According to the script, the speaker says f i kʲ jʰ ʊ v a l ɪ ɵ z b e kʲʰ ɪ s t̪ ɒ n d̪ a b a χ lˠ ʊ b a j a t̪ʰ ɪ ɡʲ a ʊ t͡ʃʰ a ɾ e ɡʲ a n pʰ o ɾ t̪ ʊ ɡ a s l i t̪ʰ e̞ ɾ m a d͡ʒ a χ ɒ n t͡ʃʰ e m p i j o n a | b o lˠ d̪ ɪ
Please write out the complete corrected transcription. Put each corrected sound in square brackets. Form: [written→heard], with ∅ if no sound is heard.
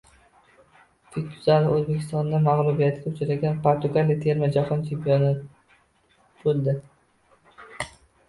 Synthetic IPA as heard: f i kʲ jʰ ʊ [v→z] a l ɪ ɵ z b e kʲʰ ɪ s t̪ ɒ n d̪ a [b→m] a [χ→ʁ] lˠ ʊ b [a→i] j a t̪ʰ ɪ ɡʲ a ʊ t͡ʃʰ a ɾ [e→a] ɡʲ a n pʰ o ɾ t̪ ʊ ɡ a [s→∅] l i t̪ʰ e̞ ɾ m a d͡ʒ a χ ɒ n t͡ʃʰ e m p i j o n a | b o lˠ d̪ ɪ

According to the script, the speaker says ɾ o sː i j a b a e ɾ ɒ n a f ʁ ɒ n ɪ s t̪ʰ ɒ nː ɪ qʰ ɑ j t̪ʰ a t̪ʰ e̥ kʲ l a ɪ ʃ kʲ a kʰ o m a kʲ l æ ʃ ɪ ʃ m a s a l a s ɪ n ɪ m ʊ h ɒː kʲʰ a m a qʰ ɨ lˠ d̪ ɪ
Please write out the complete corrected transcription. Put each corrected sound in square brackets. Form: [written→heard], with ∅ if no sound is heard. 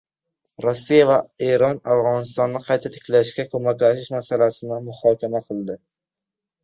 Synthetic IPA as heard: ɾ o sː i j a [b→v] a e ɾ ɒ n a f ʁ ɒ n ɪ s [t̪ʰ→t̪] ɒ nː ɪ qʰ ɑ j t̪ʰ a t̪ʰ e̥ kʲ l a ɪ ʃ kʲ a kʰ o m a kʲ l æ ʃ ɪ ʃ m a s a l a s ɪ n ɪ m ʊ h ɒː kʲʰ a m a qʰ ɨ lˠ d̪ ɪ

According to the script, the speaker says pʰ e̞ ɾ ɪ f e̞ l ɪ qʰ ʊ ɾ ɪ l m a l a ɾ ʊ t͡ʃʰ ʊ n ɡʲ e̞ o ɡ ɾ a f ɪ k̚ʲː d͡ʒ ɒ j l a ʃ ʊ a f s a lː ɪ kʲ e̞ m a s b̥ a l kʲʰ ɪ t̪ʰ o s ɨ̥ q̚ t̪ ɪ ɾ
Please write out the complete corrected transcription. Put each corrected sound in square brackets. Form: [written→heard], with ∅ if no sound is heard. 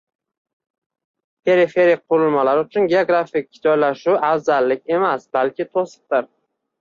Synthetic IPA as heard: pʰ e̞ ɾ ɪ f e̞ [l→ɾ] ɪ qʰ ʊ ɾ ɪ l m a l a ɾ ʊ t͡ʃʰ ʊ n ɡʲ e̞ o ɡ ɾ a f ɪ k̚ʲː d͡ʒ ɒ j l a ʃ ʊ a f [s→z] a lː ɪ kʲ e̞ m a s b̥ a l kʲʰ ɪ t̪ʰ o s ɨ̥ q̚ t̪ ɪ ɾ

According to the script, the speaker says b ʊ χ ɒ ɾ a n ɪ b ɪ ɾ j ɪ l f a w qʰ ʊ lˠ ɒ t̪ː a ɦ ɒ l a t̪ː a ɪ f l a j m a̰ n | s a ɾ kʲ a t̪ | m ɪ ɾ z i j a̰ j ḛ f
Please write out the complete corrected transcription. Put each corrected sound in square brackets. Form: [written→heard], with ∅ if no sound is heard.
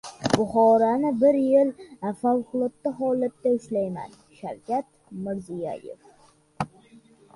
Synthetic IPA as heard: b ʊ χ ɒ ɾ a n ɪ b ɪ ɾ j ɪ l f a w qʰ ʊ lˠ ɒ t̪ː a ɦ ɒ l a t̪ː a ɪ [f→ʃ] l a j m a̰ n | [s→ʃ] a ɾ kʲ a t̪ | m ɪ ɾ z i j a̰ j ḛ f

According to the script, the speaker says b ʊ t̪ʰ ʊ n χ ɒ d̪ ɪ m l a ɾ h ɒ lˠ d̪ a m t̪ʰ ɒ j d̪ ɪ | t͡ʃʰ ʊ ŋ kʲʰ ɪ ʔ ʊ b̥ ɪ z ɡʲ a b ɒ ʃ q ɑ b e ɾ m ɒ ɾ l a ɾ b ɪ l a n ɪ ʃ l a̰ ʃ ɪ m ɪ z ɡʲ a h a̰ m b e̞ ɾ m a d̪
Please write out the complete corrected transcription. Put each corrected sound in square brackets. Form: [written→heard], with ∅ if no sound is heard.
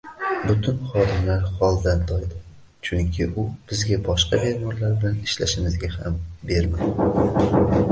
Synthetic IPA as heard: b ʊ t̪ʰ ʊ n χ ɒ d̪ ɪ m l a ɾ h ɒ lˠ d̪ a [m→n] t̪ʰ ɒ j d̪ ɪ | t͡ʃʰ ʊ ŋ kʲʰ ɪ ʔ ʊ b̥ ɪ z ɡʲ a b ɒ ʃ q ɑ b e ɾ m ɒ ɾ l a ɾ b ɪ l a n ɪ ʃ l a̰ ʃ ɪ m ɪ z ɡʲ a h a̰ m b e̞ ɾ m a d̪

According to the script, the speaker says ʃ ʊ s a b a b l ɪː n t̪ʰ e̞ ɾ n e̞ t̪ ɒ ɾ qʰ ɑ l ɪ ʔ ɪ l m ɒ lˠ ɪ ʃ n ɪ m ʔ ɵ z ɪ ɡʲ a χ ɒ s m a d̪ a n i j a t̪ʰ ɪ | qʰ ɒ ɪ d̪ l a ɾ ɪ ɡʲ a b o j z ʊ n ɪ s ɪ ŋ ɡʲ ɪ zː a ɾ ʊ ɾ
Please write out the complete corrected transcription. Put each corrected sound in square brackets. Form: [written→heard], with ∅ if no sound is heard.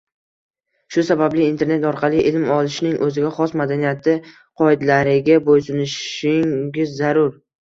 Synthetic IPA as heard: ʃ ʊ s a b a b l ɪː n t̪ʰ e̞ ɾ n e̞ t̪ ɒ ɾ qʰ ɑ l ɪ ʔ ɪ l m ɒ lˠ ɪ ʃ n ɪ [m→ŋ] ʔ ɵ z ɪ ɡʲ a χ ɒ s m a d̪ a n i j a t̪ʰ ɪ | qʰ ɒ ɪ d̪ l a ɾ ɪ ɡʲ a b o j [z→s] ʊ n ɪ [s→ʃ] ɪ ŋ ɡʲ ɪ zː a ɾ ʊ ɾ

